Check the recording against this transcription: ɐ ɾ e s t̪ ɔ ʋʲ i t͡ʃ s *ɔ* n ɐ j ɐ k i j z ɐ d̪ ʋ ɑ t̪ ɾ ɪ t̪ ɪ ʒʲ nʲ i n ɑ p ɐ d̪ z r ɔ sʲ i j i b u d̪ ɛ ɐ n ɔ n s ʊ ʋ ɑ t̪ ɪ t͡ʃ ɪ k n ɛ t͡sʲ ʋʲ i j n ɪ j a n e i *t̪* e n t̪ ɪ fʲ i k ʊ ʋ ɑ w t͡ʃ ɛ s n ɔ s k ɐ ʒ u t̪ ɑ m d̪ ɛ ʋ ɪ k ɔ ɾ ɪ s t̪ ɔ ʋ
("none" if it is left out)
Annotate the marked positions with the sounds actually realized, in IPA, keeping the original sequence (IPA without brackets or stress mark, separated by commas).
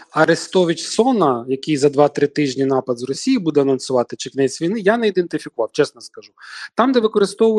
ɔ, d̪